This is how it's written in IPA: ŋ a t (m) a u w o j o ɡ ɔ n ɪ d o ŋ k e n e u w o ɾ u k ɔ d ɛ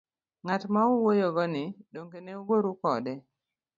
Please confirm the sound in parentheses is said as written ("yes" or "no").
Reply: yes